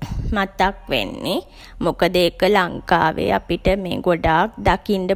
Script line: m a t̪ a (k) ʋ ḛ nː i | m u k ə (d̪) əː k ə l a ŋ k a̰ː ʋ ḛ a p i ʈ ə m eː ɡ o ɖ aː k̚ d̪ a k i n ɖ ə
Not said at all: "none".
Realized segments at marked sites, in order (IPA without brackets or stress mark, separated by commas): k, d̪